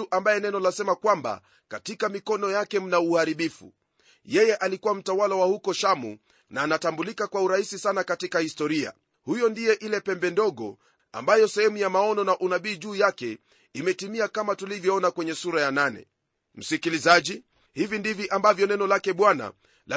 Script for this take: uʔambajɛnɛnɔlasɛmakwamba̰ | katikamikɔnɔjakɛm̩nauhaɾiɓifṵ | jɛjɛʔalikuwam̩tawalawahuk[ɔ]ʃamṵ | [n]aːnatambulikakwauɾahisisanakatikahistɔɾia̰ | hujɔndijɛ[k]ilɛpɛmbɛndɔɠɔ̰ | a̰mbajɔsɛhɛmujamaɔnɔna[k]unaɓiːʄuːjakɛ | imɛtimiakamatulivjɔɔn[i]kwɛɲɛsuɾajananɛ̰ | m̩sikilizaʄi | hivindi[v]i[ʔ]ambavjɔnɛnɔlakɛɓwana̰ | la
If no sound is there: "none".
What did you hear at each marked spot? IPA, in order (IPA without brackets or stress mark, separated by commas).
ɔ, n, ʔ, ʔ, a, v, ʔ